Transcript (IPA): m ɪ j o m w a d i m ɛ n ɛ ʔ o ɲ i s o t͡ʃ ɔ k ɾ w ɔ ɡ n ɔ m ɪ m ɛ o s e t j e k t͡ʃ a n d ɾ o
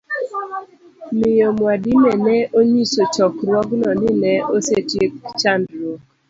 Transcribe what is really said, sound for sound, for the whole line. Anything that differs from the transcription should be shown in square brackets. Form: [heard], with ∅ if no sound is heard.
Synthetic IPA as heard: m ɪ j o m w a d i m ɛ n ɛ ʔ o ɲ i s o t͡ʃ ɔ k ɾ w ɔ ɡ n ɔ [n] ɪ [n] ɛ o s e t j e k t͡ʃ a n d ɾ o